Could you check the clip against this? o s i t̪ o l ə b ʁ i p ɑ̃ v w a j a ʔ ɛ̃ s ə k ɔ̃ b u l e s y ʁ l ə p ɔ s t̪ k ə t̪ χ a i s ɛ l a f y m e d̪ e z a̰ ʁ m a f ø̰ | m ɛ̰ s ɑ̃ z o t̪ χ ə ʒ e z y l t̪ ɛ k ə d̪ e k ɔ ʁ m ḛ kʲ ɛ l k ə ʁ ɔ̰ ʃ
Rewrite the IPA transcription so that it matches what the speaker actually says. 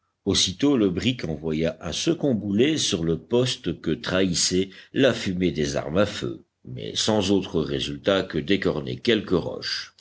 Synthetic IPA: o s i t̪ o l ə b ʁ i k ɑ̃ v w a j a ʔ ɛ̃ s ə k ɔ̃ b u l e s y ʁ l ə p ɔ s t̪ k ə t̪ χ a i s ɛ l a f y m e d̪ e z a̰ ʁ m a f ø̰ | m ɛ̰ s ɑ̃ z o t̪ χ ə ʁ e z y l t̪ a k ə d̪ e k ɔ ʁ n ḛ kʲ ɛ l k ə ʁ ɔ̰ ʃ